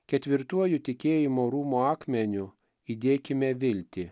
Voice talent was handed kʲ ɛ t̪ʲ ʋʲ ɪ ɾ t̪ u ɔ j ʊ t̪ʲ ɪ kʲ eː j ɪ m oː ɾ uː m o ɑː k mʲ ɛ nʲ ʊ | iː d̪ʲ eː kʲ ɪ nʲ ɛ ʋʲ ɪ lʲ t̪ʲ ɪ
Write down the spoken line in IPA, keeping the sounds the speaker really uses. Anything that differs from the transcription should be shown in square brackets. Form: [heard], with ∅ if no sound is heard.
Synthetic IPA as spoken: kʲ ɛ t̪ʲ ʋʲ ɪ ɾ t̪ u ɔ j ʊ t̪ʲ ɪ kʲ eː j ɪ m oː ɾ uː m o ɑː k mʲ ɛ nʲ ʊ | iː d̪ʲ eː kʲ ɪ [mʲ] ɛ ʋʲ ɪ lʲ t̪ʲ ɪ